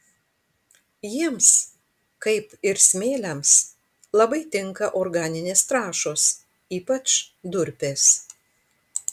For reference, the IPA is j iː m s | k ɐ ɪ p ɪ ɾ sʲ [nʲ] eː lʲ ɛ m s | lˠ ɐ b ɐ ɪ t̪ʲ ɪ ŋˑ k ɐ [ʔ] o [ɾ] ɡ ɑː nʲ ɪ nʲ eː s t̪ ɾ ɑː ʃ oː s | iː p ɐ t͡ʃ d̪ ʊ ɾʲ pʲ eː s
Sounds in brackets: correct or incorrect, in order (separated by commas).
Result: incorrect, correct, correct